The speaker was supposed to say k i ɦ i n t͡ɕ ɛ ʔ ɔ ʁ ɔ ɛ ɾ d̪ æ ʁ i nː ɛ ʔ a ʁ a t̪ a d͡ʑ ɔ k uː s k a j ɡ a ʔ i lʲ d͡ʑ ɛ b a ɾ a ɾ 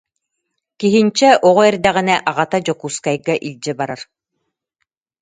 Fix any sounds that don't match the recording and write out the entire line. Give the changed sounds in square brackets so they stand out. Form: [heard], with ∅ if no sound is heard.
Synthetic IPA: k i ɦ i n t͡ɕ ɛ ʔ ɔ ʁ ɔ ɛ ɾ d̪ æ ʁ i [n] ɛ ʔ a ʁ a t̪ a d͡ʑ ɔ k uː s k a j ɡ a ʔ i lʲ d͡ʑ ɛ b a ɾ a ɾ